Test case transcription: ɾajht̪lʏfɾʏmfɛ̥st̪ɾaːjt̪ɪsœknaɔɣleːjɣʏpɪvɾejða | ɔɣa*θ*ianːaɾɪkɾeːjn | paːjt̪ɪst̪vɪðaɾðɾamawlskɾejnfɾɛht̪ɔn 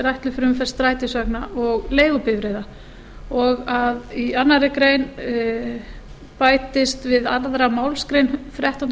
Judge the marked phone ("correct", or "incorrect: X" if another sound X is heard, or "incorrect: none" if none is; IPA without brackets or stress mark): incorrect: ð